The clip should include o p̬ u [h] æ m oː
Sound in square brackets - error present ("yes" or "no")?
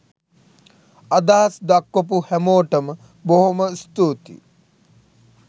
no